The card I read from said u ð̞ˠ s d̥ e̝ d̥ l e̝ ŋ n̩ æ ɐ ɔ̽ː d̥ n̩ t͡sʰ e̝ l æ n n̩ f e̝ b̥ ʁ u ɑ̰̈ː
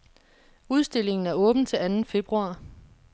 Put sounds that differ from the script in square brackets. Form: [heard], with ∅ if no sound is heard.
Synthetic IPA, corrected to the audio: u ð̞ˠ s d̥ e̝ [∅] l e̝ ŋ n̩ æ ɐ ɔ̽ː [b̥] n̩ t͡sʰ e̝ l æ n n̩ f e̝ b̥ ʁ u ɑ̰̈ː